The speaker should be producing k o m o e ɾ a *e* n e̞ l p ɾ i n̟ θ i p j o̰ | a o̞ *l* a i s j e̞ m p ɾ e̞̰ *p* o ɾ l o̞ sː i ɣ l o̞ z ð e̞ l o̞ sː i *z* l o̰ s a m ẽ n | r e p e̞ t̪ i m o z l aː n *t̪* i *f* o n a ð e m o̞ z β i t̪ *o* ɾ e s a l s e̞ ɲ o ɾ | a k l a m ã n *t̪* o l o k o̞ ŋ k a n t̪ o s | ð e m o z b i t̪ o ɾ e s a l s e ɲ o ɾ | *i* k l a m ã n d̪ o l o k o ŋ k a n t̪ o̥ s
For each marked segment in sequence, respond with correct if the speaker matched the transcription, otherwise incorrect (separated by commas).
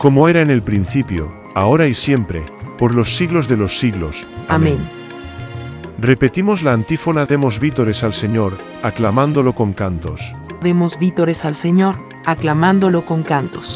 correct, incorrect, correct, incorrect, correct, correct, correct, incorrect, incorrect